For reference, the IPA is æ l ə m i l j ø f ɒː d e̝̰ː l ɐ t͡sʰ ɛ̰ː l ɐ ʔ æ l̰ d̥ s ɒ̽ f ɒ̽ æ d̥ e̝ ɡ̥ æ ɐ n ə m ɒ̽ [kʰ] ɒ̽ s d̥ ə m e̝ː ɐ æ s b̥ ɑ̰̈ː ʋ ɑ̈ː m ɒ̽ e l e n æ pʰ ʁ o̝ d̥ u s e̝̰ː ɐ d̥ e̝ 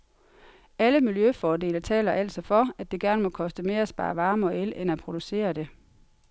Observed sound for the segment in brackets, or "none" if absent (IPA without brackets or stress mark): kʰ